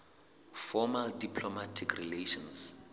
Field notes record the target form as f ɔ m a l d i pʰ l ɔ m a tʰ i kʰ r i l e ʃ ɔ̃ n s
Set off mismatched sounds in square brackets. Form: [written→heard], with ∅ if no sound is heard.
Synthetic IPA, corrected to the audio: f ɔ m a l d i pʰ l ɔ m a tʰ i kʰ r i l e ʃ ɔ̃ n s